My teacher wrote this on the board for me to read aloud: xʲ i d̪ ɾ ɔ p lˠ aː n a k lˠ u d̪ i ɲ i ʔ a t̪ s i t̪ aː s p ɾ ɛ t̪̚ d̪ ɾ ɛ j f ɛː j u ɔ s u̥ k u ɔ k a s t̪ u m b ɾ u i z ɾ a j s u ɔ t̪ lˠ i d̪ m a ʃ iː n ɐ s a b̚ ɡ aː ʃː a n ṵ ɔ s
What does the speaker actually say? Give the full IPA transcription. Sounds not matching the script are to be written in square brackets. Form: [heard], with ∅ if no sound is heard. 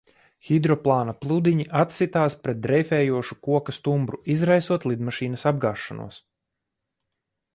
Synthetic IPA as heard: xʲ i d̪ ɾ ɔ p lˠ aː n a [p] lˠ u d̪ i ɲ i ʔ a t̪ s i t̪ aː s p ɾ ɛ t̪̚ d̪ ɾ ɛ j f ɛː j u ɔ [ʃ] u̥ k u ɔ k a s t̪ u m b ɾ u i z ɾ a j s u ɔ t̪ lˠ i d̪ m a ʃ iː n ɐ s a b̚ ɡ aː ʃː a n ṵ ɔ s

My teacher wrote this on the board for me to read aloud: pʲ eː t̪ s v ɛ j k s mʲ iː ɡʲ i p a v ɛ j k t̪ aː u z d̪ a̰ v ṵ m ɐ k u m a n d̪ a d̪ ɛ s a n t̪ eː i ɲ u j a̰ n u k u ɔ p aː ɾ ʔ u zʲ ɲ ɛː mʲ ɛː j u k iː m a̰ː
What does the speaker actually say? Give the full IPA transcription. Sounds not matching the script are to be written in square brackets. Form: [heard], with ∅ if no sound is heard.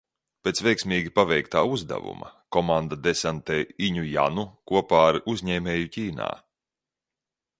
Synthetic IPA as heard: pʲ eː t̪ s v ɛ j k s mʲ iː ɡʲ i p a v ɛ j k t̪ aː u z d̪ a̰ v ṵ m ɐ k [ɔ] m a n d̪ a d̪ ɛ s a n t̪ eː i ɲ u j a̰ n u k u ɔ p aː ɾ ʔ u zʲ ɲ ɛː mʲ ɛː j u [c] iː [n] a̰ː

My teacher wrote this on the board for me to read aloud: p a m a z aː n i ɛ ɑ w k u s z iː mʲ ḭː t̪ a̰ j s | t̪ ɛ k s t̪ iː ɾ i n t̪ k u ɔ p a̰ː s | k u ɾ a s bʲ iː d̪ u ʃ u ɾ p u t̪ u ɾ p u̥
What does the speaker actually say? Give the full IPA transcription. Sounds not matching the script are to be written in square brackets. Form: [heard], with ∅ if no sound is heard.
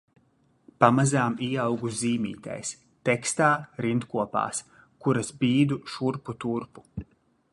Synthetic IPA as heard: p a m a z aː [m] i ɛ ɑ w [ɡ] u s z iː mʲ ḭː t̪ a̰ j s | t̪ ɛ k s t̪ [aː] ɾ i n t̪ k u ɔ p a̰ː s | k u ɾ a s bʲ iː d̪ u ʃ u ɾ p u t̪ u ɾ p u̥

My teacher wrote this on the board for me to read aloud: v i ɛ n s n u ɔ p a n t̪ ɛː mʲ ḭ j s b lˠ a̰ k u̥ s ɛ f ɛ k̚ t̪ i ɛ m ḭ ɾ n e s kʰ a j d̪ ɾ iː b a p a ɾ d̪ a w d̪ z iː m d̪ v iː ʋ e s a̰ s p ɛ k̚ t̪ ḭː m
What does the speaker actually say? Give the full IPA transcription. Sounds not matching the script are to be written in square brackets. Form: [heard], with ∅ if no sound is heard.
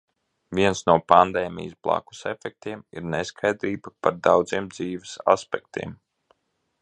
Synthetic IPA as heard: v i ɛ n s n u ɔ p a n [d̪] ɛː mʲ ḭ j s b lˠ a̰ k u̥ s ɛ f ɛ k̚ t̪ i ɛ m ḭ ɾ n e s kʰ a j d̪ ɾ iː b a p a ɾ d̪ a w d̪ z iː m d̪ [z] iː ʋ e s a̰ s p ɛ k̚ t̪ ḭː m

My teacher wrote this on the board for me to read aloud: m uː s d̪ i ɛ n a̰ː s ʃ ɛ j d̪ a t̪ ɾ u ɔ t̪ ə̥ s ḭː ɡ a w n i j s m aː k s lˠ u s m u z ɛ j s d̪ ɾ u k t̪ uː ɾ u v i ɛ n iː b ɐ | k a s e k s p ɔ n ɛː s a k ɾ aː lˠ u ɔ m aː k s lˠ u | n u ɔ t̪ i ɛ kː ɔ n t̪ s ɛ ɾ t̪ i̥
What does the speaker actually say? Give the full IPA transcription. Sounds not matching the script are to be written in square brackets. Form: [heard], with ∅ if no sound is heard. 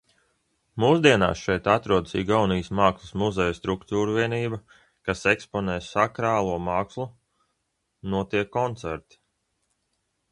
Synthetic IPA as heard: m uː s d̪ i ɛ n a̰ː s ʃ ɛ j [t̪] a t̪ ɾ u ɔ [d̪] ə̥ s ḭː ɡ a w n i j s m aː k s lˠ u s m u z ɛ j s [t̪] ɾ u k t̪ uː ɾ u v i ɛ n iː b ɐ | k a s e k s p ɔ n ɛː s a k ɾ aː lˠ u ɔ m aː k s lˠ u | n u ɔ t̪ i ɛ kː ɔ n t̪ s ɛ ɾ t̪ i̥

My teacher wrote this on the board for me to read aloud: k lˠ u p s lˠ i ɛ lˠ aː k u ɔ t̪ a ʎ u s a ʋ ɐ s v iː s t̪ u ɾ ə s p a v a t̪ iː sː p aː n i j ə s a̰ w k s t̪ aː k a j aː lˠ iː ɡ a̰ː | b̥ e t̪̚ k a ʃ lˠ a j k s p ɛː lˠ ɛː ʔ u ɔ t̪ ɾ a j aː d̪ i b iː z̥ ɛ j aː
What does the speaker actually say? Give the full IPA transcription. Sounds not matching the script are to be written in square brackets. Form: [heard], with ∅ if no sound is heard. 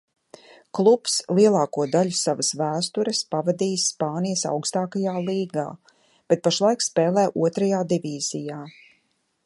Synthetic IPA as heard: k lˠ u p s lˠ i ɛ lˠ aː k u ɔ [d̪] a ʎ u s a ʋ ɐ s v [æː] s t̪ u ɾ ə s p a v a [d̪] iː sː p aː n i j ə s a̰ w k s t̪ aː k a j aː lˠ iː ɡ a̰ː | b̥ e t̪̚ [p] a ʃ lˠ a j k s p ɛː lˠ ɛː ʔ u ɔ t̪ ɾ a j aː d̪ i [v] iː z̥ [i] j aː

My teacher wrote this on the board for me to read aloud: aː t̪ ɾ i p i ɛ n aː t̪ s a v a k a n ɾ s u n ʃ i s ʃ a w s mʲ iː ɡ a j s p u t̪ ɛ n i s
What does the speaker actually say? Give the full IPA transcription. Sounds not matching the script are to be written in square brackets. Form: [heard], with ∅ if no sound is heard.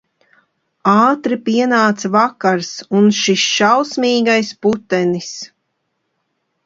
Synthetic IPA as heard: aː t̪ ɾ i p i ɛ n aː t̪ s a v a k a [∅] ɾ s u n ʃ i s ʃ a w s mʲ iː ɡ a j s p u t̪ ɛ n i s

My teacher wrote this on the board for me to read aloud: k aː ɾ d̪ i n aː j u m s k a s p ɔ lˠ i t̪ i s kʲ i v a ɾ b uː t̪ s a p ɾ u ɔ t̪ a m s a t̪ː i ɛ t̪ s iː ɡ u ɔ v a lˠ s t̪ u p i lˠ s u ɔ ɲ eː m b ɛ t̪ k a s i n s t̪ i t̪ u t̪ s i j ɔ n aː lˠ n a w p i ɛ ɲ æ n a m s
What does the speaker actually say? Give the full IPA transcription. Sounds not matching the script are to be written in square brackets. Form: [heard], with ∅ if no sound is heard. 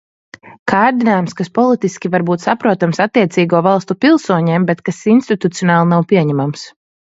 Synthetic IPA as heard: k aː ɾ d̪ i n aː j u m s k a s p ɔ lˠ i t̪ i s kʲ i v a ɾ b uː t̪ s a p ɾ u ɔ t̪ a m s a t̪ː i ɛ t̪ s iː ɡ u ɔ v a lˠ s t̪ u p i lˠ s u ɔ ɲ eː m b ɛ t̪ k a s i n s t̪ i t̪ u t̪ s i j ɔ n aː lˠ n a w p i ɛ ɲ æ [m] a m s

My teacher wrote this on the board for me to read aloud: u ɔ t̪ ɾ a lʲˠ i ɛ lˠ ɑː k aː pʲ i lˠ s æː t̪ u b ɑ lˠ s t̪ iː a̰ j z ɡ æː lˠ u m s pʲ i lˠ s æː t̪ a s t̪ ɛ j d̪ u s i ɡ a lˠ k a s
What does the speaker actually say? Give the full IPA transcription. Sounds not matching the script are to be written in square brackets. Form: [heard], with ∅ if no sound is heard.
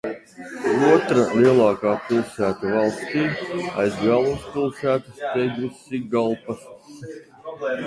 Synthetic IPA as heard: u ɔ t̪ ɾ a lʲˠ i ɛ lˠ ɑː k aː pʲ i lˠ s æː t̪ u [v] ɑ lˠ s t̪ iː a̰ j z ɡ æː lˠ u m s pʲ i lˠ s æː t̪ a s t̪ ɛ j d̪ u s i ɡ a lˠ [p] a s

